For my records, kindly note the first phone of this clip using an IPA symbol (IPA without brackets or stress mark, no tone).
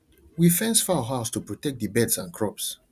w